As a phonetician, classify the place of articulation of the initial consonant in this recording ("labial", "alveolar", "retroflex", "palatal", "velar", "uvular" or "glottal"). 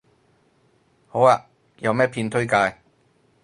glottal